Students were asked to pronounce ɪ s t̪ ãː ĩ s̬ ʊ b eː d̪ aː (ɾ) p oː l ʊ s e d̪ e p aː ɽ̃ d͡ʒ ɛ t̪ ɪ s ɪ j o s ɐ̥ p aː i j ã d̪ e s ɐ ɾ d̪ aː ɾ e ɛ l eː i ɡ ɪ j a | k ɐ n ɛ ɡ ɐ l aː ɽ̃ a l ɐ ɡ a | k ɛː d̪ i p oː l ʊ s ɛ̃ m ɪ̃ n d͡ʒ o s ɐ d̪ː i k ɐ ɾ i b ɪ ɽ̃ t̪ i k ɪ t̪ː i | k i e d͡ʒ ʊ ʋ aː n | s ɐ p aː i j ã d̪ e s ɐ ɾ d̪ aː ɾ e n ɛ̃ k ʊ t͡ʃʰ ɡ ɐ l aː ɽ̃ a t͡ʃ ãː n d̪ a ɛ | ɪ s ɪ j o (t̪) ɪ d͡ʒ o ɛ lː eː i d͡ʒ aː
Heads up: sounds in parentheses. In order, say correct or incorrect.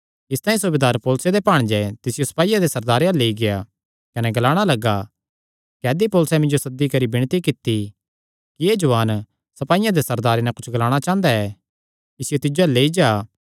correct, correct

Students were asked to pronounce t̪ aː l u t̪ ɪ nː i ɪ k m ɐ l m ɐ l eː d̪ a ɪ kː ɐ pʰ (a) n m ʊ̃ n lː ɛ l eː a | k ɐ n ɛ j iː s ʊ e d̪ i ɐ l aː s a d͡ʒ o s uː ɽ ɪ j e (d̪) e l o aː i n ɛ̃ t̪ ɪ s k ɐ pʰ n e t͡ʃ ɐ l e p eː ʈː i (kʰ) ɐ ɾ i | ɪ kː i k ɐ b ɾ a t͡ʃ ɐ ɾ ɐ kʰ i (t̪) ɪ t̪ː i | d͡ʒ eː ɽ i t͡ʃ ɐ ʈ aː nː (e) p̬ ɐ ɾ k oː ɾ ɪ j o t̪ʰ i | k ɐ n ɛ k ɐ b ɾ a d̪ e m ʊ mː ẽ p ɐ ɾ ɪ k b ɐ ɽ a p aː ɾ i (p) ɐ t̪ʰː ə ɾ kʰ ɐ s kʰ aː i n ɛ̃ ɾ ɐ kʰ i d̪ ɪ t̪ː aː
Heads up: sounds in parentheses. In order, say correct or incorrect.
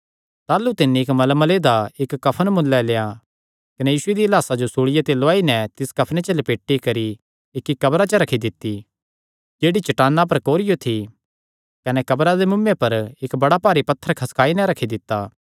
incorrect: ə, incorrect: t̪, incorrect: k, incorrect: d̪, incorrect: a, correct

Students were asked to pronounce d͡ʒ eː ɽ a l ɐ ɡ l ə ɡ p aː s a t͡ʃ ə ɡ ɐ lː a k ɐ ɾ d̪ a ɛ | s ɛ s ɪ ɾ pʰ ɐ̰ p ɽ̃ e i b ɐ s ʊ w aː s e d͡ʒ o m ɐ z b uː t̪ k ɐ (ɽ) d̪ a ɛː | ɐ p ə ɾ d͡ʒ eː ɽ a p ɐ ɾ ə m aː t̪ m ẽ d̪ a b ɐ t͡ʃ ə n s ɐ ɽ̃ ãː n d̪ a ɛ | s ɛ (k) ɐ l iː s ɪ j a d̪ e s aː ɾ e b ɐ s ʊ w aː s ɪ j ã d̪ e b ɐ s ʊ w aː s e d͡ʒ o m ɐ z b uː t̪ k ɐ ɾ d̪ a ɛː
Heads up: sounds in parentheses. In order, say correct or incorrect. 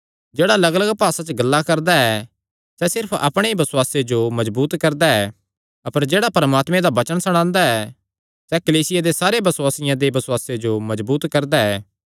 incorrect: ɾ, correct

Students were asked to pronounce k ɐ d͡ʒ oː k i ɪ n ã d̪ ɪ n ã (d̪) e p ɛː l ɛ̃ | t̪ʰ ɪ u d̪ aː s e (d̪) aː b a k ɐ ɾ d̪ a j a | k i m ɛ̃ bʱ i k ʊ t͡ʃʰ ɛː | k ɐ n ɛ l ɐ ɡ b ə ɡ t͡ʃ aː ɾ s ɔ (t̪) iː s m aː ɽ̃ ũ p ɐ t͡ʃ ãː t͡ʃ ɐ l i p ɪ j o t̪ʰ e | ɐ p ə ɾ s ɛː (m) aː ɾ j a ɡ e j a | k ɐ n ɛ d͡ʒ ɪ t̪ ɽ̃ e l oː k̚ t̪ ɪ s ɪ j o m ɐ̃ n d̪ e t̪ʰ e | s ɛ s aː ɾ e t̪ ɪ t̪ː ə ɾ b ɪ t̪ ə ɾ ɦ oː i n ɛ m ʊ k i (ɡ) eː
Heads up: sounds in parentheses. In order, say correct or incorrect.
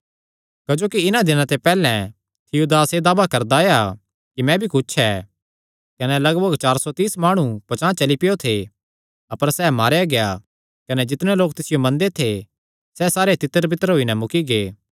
incorrect: t̪, correct, correct, correct, correct

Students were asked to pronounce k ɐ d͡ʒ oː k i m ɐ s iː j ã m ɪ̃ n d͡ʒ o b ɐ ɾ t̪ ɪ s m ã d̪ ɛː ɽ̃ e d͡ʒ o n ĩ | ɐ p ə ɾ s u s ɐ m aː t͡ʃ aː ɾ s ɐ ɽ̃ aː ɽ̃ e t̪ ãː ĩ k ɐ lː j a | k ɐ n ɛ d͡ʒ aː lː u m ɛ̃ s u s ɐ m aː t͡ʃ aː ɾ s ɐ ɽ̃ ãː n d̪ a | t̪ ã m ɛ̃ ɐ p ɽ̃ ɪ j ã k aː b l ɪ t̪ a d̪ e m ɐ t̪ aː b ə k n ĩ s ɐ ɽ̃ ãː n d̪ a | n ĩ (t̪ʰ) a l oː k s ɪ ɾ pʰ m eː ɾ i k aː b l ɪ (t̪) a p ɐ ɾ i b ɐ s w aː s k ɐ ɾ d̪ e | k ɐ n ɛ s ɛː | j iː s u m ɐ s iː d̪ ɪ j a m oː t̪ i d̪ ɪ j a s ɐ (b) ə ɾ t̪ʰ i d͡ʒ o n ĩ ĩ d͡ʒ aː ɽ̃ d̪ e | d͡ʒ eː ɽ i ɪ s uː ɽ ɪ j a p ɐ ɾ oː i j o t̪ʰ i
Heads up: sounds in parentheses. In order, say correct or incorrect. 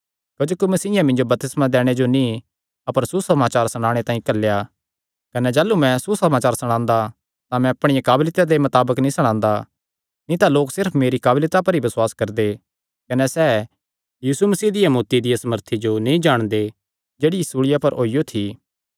incorrect: t̪, correct, incorrect: m

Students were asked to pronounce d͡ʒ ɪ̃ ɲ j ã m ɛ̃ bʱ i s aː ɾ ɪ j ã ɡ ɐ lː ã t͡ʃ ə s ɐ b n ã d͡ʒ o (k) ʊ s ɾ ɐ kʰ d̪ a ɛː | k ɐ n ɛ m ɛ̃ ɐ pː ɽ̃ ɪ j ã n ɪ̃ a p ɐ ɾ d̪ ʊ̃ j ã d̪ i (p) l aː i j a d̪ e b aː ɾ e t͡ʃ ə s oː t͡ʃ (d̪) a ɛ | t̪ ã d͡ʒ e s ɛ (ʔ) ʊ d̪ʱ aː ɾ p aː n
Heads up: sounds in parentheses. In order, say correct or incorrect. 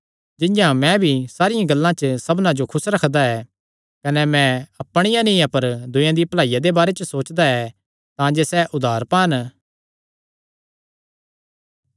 incorrect: kʰ, correct, correct, correct

